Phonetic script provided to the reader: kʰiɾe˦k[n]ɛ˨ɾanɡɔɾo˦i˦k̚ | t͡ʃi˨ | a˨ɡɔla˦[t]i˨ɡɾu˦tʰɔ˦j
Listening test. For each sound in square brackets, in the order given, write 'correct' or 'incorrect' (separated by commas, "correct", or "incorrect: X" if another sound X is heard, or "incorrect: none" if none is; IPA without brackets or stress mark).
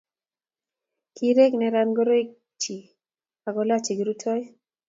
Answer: correct, incorrect: t͡ʃ